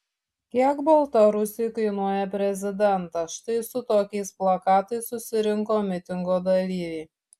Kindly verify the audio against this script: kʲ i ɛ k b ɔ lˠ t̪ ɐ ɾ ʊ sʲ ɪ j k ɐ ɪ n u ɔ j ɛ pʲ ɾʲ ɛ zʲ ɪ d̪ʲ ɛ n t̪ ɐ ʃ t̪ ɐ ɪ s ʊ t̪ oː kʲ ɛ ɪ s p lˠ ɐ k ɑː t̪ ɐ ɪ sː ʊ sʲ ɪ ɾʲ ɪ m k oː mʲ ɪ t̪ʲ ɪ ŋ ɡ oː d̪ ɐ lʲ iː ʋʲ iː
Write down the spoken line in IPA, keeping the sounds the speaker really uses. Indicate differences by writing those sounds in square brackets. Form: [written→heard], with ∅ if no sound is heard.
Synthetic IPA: kʲ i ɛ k b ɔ lˠ t̪ ɐ ɾ ʊ sʲ ɪ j k ɐ ɪ n u ɔ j ɛ pʲ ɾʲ ɛ zʲ ɪ d̪ʲ ɛ n t̪ ɐ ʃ t̪ ɐ ɪ s ʊ t̪ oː kʲ ɛ ɪ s p lˠ ɐ k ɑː t̪ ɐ ɪ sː ʊ sʲ ɪ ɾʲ ɪ [m→ŋ] k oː mʲ ɪ t̪ʲ ɪ ŋ ɡ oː d̪ ɐ lʲ iː ʋʲ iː